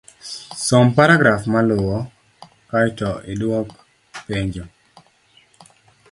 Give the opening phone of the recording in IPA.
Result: s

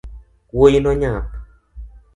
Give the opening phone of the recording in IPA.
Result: w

